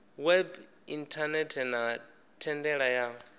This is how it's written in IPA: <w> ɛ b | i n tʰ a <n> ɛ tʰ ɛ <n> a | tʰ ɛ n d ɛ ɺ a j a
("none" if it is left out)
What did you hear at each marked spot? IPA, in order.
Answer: w, n, n

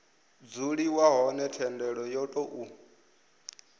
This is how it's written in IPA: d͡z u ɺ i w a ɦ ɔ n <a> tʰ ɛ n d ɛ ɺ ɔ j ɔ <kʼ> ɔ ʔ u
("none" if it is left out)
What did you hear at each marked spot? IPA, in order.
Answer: ɛ, tʼ

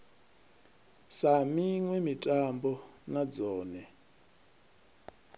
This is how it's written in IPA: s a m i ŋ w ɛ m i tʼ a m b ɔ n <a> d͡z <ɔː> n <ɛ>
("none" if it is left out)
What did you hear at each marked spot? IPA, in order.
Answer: a, ɔː, ɛ

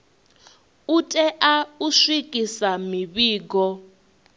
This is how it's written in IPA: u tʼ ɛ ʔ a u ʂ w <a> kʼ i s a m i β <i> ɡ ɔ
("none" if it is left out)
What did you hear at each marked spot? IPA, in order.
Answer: i, iː

